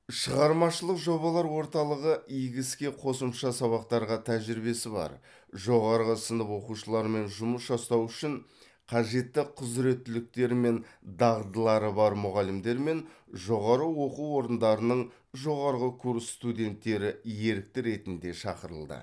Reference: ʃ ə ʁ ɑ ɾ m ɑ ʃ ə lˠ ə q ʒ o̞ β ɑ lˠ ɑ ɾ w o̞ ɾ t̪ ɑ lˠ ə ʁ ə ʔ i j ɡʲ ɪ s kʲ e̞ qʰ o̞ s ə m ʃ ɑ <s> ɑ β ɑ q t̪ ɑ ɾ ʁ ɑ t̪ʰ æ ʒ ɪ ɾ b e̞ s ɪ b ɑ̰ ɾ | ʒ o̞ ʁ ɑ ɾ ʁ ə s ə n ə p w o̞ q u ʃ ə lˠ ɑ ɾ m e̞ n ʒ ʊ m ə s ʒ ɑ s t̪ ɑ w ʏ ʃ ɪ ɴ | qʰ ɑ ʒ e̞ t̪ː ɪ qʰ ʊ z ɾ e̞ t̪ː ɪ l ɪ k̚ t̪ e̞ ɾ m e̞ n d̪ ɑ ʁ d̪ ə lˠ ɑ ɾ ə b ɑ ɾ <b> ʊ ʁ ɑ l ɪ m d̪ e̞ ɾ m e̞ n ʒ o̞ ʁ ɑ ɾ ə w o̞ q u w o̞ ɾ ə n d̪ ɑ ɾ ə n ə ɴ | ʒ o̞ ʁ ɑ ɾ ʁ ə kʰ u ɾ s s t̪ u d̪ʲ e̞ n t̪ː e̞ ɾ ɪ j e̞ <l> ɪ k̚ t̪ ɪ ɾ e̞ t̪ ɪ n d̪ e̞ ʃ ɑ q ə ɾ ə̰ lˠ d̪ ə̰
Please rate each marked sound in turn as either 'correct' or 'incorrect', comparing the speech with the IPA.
correct, incorrect: m, incorrect: ɾ

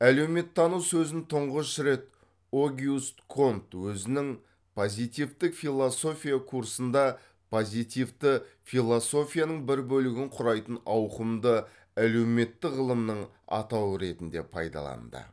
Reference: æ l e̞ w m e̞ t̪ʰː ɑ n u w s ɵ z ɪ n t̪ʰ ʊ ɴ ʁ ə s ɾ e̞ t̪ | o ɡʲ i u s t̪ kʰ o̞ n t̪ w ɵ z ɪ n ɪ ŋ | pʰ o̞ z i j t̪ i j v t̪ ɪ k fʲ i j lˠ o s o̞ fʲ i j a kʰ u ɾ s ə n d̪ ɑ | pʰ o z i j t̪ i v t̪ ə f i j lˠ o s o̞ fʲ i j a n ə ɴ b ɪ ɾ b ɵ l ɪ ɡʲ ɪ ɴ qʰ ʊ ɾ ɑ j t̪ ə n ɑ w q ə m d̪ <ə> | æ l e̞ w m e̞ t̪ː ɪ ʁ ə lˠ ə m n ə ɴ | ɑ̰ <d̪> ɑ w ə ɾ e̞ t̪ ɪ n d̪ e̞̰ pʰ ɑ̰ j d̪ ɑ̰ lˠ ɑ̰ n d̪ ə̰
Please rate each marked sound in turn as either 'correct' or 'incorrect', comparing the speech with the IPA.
correct, incorrect: t̪

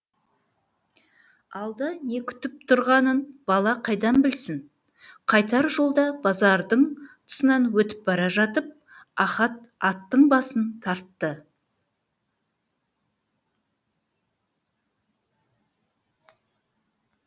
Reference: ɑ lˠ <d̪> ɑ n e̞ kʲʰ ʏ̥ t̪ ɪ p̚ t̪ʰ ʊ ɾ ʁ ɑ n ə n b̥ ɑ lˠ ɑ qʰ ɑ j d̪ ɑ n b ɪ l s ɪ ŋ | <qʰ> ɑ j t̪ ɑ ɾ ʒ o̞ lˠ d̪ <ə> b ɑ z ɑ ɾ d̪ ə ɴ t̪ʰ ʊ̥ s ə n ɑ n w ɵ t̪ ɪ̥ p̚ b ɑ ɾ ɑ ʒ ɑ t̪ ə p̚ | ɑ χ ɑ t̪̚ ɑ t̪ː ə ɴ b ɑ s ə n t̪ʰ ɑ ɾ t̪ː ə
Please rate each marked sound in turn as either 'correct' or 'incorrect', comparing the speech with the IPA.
correct, correct, incorrect: ɑ

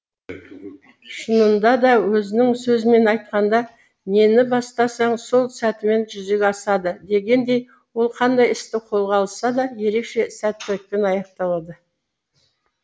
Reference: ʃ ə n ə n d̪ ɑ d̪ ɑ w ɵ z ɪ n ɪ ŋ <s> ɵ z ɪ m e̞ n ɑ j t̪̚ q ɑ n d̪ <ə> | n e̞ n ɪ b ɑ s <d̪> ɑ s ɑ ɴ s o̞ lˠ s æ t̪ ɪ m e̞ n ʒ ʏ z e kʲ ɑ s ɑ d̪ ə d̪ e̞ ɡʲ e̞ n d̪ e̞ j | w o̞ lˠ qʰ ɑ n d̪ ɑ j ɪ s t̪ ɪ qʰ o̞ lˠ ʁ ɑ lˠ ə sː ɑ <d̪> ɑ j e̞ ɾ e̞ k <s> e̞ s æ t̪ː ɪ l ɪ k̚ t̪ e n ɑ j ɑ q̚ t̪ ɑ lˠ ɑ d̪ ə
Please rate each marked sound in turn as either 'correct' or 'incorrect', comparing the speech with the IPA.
correct, incorrect: ɑ, incorrect: t̪, correct, incorrect: ʃ

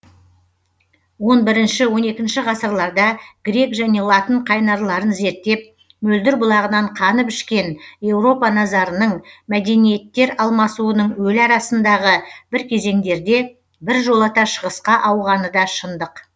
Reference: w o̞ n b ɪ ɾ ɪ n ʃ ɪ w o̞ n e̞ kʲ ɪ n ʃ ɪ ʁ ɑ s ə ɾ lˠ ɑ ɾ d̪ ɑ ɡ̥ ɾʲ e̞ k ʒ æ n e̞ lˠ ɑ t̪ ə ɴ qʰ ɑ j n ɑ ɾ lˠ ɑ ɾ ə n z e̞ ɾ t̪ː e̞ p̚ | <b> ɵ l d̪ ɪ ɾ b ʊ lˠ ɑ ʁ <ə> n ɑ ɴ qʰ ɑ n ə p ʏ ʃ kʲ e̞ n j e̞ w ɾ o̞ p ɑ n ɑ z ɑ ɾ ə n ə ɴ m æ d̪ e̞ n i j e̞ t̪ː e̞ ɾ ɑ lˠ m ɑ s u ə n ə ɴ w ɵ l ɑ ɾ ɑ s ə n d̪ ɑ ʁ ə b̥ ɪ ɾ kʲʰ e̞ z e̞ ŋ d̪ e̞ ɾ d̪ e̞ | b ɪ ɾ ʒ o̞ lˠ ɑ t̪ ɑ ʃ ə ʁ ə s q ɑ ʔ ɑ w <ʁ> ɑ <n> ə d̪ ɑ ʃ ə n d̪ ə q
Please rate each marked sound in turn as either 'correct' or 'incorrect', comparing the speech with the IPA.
incorrect: m, correct, correct, correct

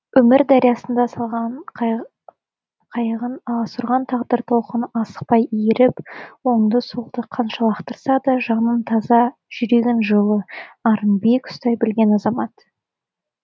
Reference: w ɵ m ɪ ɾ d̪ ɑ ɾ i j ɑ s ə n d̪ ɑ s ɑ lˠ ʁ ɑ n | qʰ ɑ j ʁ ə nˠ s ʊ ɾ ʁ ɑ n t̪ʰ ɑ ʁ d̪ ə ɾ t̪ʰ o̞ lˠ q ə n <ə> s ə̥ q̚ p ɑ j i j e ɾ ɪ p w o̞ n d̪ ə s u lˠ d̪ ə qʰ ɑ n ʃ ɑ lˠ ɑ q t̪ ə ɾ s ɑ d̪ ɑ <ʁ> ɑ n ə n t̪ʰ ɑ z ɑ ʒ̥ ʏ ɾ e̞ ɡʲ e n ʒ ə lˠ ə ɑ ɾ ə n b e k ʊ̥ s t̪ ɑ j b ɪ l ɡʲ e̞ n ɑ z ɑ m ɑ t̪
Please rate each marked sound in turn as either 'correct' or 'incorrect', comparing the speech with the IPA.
incorrect: ɑ, incorrect: ʒ

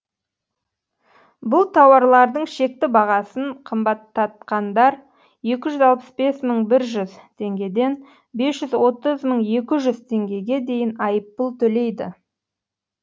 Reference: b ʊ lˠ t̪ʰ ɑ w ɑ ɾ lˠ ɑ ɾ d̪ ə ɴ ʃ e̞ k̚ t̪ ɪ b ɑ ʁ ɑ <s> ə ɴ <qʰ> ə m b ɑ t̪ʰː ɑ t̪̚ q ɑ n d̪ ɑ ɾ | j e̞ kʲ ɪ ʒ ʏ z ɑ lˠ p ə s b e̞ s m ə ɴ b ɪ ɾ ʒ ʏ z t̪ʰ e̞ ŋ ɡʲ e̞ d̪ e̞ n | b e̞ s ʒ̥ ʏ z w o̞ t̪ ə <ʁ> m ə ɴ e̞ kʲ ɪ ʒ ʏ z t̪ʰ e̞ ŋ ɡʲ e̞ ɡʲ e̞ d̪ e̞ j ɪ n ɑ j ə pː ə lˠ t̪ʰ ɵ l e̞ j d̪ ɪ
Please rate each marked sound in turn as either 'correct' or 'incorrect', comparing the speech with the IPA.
correct, correct, incorrect: z

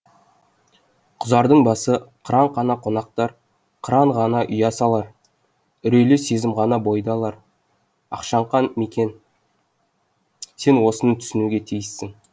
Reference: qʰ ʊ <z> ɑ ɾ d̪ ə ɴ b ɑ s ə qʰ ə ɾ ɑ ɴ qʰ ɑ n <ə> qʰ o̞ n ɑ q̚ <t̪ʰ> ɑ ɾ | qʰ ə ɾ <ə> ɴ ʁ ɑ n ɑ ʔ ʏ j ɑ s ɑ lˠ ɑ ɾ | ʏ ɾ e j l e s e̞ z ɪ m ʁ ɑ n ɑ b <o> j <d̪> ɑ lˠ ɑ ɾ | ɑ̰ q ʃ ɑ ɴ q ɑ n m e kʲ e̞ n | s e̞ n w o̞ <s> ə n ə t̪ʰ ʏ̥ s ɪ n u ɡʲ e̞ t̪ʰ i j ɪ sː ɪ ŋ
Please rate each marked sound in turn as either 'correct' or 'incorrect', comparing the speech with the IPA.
correct, incorrect: ɑ, incorrect: t̪, incorrect: ɑ, correct, correct, correct

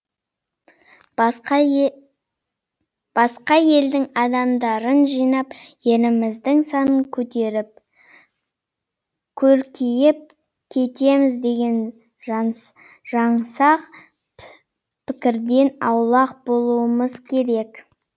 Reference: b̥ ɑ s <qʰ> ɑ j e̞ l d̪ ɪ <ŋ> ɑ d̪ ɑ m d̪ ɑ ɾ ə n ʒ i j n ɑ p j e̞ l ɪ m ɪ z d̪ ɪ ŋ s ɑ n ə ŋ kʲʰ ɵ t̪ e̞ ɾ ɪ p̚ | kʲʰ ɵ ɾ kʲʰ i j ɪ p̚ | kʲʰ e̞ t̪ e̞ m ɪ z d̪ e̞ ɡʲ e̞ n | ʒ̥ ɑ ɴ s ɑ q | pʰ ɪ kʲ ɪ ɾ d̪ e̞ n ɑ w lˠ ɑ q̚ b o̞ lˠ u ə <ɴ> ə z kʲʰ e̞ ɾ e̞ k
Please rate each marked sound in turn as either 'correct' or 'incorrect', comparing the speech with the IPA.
incorrect: q, correct, incorrect: m

